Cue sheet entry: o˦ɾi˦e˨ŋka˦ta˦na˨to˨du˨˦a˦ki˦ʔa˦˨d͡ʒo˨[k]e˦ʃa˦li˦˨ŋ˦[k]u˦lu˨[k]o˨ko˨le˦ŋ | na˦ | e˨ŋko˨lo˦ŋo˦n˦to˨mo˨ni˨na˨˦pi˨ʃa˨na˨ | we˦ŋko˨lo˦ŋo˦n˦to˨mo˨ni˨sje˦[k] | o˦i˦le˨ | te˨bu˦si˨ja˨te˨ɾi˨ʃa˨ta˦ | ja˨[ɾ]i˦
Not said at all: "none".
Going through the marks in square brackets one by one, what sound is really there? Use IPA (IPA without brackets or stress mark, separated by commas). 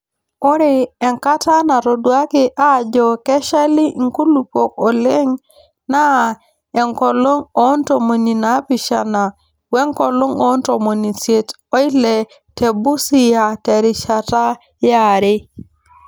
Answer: k, k, p, t, ɾ